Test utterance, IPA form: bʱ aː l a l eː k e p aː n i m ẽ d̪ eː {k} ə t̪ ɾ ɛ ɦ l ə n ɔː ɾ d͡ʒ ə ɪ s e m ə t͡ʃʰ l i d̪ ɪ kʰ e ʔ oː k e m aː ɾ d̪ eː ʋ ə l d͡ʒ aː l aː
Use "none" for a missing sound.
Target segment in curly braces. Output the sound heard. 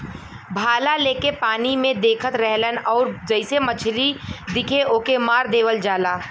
kʰ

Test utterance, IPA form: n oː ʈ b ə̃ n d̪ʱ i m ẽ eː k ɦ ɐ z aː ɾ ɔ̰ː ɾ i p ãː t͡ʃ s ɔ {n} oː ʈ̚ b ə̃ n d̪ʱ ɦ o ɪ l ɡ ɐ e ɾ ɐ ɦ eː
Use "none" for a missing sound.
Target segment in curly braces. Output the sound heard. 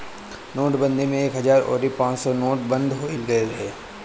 n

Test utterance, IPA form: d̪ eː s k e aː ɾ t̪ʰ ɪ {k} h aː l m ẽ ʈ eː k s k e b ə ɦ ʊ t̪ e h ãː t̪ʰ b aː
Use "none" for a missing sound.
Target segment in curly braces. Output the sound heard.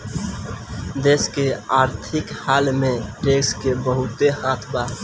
k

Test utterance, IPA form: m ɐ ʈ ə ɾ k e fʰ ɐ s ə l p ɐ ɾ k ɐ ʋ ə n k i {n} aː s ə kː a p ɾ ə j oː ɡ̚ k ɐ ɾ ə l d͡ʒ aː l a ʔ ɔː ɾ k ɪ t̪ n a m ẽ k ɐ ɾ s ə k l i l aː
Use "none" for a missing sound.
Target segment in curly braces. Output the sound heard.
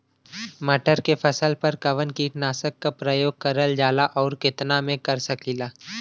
n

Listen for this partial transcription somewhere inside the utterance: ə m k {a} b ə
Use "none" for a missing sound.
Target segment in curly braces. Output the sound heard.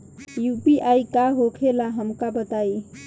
a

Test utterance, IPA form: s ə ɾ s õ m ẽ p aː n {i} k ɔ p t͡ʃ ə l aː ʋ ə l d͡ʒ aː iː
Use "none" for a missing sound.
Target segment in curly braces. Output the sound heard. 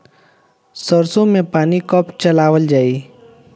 i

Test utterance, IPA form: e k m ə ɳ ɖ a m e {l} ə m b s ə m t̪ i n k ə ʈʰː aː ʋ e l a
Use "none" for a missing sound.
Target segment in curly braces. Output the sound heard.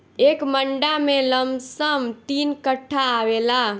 l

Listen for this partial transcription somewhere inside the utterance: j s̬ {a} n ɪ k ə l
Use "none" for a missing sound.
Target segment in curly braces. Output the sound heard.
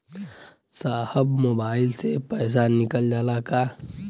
a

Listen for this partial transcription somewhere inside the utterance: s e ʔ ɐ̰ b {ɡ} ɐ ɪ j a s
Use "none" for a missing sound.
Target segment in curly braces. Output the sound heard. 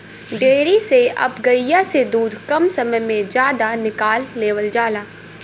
ɡ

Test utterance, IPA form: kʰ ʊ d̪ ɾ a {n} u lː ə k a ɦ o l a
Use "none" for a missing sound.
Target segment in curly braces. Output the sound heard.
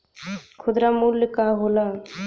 m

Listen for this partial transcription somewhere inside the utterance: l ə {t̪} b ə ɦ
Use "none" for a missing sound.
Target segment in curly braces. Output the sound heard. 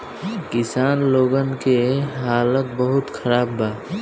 t̪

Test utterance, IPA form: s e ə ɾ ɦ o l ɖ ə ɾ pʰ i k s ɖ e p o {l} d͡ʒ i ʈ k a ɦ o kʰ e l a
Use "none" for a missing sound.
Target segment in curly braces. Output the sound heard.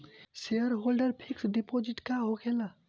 none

